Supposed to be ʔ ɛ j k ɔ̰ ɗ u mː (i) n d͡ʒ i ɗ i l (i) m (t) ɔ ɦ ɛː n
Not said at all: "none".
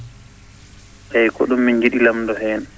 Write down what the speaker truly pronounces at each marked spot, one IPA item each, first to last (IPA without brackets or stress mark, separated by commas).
i, a, d